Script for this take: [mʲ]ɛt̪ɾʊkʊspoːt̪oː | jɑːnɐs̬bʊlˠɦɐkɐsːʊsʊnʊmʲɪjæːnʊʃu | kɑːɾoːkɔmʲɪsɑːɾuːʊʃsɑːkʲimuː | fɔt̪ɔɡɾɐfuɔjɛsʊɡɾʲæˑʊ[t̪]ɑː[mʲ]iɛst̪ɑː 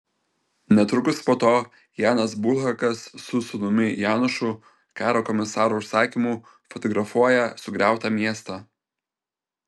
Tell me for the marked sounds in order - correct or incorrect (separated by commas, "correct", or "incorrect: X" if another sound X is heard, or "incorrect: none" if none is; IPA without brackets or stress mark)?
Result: incorrect: nʲ, correct, correct